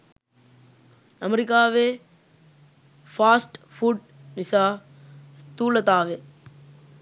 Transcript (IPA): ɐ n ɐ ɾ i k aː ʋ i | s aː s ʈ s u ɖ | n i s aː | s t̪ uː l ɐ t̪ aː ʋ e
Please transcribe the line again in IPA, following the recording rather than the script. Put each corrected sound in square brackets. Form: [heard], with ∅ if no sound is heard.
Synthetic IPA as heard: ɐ [m] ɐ ɾ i k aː ʋ [e] | [f] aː s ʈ [f] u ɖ | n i s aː | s t̪ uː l ɐ t̪ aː ʋ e

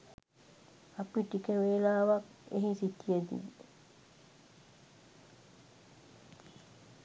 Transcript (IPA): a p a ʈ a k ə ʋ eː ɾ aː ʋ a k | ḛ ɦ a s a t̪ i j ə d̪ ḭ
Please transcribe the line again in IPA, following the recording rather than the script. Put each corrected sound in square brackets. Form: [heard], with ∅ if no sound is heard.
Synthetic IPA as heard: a p [i] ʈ [i] k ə ʋ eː [l] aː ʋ a k | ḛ ɦ [i] s [i] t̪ i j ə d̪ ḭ

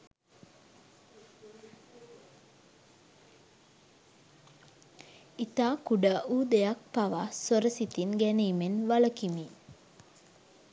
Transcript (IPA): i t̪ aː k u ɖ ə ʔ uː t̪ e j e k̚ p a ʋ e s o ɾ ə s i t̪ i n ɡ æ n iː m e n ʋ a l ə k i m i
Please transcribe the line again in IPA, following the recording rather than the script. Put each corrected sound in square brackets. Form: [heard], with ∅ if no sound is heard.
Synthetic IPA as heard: i t̪ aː k u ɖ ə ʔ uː [d̪] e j [a] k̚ p a ʋ [a] s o ɾ ə s i t̪ i n ɡ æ n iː m e n ʋ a l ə k i m i

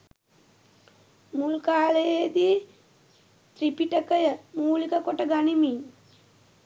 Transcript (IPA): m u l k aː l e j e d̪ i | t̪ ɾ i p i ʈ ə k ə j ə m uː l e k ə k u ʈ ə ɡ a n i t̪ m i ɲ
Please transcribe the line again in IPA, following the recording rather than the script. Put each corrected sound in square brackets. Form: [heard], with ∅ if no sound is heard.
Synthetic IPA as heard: m u l k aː l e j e d̪ i | t̪ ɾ i p i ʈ ə k ə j ə m uː l [i] k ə k [o] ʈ ə ɡ a n i [∅] m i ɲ

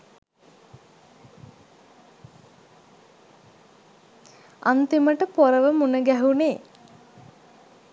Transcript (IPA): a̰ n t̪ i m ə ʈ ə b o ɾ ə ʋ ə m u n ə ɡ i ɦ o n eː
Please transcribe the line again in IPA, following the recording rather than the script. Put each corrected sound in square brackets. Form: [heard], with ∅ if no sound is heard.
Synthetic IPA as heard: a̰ n t̪ i m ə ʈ ə [p] o ɾ ə ʋ ə m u n ə ɡ [æ] ɦ [u] n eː

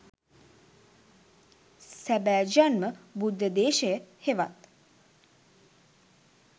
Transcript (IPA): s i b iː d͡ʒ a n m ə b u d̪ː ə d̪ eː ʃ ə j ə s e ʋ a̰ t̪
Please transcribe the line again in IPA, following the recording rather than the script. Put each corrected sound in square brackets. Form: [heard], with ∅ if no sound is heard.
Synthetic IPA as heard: s [æ] b [æː] d͡ʒ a n m ə b u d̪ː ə d̪ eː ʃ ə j ə [h] e ʋ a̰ t̪

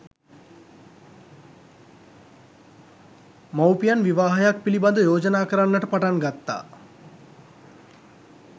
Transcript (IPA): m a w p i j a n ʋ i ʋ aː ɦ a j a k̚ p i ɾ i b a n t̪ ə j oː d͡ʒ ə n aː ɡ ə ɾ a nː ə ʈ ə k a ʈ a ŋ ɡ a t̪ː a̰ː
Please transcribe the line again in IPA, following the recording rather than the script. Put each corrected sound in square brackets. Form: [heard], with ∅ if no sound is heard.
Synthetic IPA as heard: m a w p i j a n ʋ i ʋ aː ɦ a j a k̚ p i [l] i b a n [d̪] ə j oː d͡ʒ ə n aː [k] ə ɾ a nː ə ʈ ə [p] a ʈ a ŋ ɡ a t̪ː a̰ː

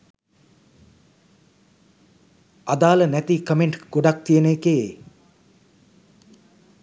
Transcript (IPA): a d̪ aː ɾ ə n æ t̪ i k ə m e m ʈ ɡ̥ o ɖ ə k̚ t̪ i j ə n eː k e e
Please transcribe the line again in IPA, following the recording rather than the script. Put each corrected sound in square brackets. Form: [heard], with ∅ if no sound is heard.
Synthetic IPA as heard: a d̪ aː [l] ə n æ t̪ i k ə m e [ɳ] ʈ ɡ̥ o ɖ [a] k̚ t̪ i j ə n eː k e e

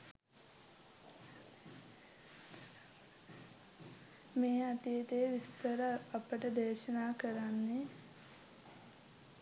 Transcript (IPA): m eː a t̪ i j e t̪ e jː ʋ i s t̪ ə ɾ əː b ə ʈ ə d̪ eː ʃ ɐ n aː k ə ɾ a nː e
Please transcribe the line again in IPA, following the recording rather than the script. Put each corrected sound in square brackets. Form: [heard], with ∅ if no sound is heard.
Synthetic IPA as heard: m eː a t̪ i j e t̪ e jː ʋ i s t̪ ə ɾ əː [p] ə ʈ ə d̪ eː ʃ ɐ n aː k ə ɾ a nː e

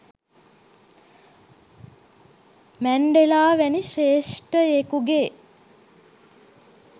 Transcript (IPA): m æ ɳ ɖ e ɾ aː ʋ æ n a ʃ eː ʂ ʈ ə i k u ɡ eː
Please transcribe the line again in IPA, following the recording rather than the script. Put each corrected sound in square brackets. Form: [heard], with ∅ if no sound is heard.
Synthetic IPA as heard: m æ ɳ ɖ e [l] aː ʋ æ n [i] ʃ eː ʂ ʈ ə [e] k u ɡ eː

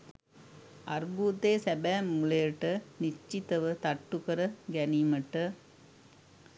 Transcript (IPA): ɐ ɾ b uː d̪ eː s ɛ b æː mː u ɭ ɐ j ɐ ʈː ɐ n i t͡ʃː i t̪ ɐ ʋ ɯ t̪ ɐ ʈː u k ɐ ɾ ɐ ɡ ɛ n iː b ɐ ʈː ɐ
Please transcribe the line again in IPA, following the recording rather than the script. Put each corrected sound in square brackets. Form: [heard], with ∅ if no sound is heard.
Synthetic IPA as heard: ɐ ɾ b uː [t̪] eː s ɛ b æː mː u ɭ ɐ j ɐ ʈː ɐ n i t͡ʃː i t̪ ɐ ʋ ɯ t̪ ɐ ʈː u k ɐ ɾ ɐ ɡ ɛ n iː [m] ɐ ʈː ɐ

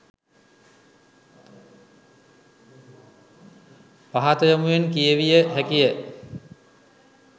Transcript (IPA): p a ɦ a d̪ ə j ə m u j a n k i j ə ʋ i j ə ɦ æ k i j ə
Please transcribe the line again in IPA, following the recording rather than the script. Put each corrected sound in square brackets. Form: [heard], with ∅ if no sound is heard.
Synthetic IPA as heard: p a ɦ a [t̪] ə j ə m u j [e] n k i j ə ʋ i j ə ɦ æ k i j ə

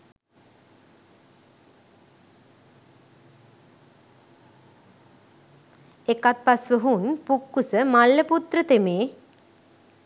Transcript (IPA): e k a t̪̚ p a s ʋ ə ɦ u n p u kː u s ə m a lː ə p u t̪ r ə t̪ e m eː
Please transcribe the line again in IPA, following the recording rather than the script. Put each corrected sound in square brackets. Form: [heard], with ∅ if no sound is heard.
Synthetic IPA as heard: e k a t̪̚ p a s ʋ ə ɦ u n p u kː u s ə m a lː ə p u t̪ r ə t̪ e m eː

